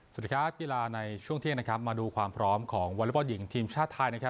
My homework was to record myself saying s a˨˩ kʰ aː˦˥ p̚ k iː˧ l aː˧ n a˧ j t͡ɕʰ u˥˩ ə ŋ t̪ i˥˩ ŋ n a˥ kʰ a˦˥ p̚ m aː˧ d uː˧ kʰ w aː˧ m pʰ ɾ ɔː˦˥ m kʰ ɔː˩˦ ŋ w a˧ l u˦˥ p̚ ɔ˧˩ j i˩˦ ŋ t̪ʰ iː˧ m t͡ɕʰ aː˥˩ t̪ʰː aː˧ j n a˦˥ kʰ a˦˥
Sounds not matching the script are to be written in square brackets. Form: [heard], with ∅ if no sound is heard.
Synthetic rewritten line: s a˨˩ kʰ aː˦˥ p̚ k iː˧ l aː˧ n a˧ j t͡ɕʰ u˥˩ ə ŋ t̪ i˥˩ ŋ n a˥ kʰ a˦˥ p̚ m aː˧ d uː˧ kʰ w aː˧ m pʰ ɾ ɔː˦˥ m kʰ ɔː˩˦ ŋ w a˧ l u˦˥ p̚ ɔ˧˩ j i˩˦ ŋ t̪ʰ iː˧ m t͡ɕʰ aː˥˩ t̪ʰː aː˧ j n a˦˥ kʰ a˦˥